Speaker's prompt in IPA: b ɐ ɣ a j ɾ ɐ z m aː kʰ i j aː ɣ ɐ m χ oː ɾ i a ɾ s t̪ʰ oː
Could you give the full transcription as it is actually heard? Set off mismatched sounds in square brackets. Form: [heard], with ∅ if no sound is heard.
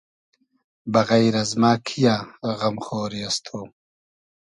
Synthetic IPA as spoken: b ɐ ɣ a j ɾ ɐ z m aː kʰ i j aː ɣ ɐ m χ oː ɾ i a [∅] s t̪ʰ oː